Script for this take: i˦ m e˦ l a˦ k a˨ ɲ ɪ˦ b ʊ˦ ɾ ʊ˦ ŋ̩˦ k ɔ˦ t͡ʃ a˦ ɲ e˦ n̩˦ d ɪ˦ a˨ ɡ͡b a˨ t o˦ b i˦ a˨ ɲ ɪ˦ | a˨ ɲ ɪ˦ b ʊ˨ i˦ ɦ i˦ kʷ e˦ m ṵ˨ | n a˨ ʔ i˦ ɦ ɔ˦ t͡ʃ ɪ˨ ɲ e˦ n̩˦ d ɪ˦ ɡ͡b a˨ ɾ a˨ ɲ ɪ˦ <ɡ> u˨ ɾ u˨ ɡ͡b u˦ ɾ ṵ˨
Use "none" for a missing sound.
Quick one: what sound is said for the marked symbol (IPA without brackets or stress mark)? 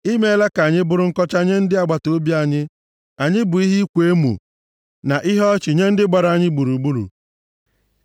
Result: ɡ͡b